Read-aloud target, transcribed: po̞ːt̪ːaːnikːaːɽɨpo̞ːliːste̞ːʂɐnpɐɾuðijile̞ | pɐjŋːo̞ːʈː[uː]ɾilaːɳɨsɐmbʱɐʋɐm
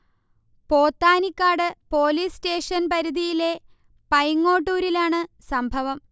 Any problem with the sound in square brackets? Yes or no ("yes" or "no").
no